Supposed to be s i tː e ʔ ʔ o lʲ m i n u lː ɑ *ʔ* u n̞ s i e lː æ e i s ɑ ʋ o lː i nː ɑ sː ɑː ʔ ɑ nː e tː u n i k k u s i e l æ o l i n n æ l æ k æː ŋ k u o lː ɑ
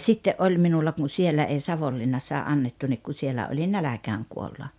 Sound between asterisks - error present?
yes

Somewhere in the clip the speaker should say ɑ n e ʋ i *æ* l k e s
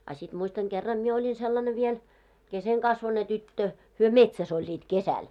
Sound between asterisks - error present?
yes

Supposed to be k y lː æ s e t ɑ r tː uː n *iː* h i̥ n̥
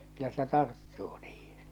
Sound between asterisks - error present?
no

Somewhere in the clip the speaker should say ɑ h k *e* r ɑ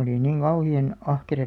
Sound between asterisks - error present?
no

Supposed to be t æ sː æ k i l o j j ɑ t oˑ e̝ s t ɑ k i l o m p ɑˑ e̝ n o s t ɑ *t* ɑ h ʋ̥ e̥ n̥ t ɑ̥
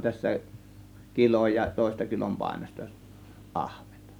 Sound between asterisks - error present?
yes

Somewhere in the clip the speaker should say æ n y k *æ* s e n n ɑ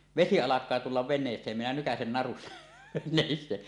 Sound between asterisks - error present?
no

